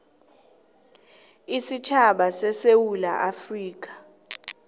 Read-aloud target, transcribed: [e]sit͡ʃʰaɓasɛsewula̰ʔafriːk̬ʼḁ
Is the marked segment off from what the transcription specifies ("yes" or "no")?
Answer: yes